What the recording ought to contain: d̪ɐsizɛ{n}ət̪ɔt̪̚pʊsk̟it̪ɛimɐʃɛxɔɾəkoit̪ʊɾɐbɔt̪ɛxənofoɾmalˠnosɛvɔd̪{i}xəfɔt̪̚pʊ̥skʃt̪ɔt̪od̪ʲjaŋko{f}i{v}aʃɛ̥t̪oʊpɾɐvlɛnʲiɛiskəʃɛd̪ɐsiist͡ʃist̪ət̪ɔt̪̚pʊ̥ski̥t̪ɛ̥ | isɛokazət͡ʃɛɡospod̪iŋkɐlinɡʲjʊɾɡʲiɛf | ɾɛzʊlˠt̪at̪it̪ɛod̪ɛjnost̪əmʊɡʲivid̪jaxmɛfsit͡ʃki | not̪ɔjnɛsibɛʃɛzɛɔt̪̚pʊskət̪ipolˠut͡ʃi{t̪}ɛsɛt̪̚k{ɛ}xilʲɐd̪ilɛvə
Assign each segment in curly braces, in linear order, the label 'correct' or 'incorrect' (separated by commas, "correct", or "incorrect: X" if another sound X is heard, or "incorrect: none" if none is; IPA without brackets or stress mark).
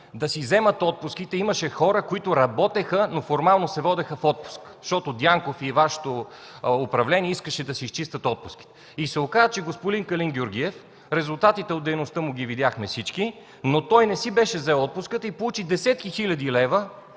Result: incorrect: m, incorrect: ɛ, correct, correct, incorrect: d̪, incorrect: i